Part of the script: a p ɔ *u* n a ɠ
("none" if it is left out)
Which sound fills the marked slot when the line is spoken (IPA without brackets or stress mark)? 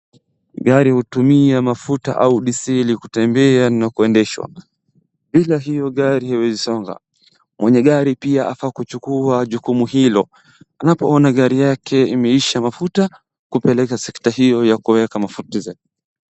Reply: ɔ